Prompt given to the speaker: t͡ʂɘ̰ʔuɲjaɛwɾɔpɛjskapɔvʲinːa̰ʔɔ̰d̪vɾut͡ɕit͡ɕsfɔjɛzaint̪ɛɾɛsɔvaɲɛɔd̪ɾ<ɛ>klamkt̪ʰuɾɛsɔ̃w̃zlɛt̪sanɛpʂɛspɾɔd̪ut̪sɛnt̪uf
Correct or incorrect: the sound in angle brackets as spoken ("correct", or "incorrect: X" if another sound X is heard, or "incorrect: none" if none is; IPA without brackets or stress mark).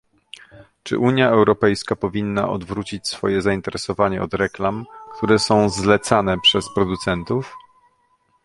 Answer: correct